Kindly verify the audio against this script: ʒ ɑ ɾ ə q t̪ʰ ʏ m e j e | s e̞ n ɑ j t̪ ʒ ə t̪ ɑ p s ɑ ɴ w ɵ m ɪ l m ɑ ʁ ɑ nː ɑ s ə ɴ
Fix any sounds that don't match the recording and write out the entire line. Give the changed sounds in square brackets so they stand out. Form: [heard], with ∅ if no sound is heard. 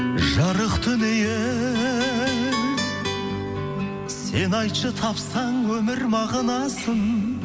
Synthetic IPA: ʒ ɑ ɾ ə q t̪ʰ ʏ [n] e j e | s e̞ n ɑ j t̪ [ʃ] ə [t̪ʰ] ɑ p s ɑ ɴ w ɵ m ɪ [ɾ] m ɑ ʁ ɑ [n] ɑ s ə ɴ